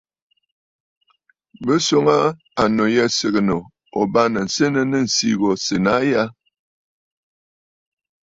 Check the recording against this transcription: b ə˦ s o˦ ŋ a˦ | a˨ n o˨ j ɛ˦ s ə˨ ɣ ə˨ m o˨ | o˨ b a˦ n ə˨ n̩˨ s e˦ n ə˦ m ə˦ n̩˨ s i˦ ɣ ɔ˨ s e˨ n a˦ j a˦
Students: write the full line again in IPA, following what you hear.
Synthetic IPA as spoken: b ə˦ s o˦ ŋ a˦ | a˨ n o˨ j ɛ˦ s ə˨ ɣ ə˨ n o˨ | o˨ b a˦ n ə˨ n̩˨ s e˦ n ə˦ n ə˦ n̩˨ s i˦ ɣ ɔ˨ s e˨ n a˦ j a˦